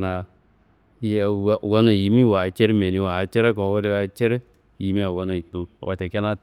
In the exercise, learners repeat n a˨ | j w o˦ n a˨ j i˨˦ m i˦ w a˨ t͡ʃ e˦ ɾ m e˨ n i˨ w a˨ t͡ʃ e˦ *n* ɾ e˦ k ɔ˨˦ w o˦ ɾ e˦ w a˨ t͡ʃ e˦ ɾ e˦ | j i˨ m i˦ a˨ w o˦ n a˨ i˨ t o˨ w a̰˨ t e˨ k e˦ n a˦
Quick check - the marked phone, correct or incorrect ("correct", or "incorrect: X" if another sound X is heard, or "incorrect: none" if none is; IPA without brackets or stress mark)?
incorrect: none